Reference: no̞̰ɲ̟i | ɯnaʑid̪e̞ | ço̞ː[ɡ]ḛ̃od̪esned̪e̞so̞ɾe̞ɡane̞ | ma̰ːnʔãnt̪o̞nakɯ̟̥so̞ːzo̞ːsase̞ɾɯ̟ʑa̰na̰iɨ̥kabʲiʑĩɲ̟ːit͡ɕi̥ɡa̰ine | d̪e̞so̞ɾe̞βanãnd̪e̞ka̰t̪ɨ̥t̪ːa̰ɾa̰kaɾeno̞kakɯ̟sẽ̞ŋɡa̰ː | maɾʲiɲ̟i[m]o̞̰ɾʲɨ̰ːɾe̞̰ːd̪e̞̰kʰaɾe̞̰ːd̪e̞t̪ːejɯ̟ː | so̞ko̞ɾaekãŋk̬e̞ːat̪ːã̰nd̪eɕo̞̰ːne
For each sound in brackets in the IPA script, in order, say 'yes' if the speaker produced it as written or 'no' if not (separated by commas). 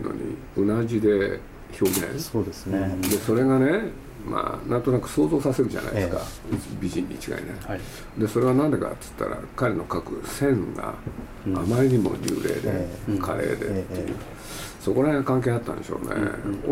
yes, yes